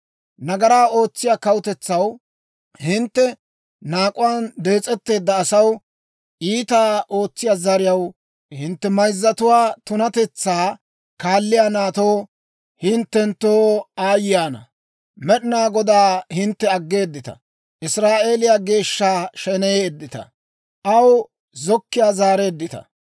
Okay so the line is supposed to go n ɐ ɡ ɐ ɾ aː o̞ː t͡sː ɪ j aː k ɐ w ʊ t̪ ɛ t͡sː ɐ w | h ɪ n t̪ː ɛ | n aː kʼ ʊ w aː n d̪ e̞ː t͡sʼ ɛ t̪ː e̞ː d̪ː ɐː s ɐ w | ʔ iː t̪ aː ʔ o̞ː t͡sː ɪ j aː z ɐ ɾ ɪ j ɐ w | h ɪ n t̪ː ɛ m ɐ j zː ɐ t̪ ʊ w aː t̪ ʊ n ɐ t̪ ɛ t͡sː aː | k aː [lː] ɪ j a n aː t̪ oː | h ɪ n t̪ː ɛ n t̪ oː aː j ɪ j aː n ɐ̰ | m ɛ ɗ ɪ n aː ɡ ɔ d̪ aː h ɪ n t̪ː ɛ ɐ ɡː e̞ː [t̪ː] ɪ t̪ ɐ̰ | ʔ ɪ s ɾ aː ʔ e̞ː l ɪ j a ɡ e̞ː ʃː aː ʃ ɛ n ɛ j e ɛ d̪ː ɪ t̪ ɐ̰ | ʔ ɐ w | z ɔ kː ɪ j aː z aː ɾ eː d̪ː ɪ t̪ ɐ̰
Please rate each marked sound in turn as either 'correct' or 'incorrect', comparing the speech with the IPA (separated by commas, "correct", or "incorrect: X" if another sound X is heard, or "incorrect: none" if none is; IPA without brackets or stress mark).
correct, incorrect: d̪ː